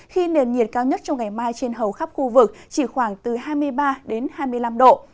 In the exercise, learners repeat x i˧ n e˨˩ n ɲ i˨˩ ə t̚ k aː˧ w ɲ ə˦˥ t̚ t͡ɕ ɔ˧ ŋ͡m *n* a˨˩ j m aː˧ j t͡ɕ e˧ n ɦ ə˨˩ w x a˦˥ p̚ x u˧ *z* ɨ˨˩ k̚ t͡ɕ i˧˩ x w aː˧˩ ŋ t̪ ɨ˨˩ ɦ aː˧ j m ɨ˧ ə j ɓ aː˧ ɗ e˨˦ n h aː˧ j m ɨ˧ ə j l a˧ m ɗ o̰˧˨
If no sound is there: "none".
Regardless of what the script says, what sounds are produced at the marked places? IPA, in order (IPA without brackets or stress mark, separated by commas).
ŋ, v